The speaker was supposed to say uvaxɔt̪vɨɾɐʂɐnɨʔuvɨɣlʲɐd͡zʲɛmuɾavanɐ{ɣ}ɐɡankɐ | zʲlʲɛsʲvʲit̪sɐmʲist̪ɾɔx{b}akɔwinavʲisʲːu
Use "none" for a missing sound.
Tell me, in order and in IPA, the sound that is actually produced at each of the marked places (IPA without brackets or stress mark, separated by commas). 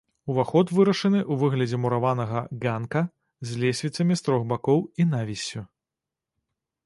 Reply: ɣ, b